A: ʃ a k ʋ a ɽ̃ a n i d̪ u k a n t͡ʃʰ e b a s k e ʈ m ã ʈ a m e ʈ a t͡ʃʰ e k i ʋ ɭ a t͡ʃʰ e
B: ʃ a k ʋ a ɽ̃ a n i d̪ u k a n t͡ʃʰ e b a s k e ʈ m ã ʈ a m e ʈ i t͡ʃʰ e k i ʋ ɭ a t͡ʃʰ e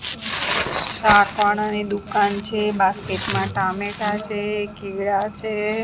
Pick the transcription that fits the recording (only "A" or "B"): A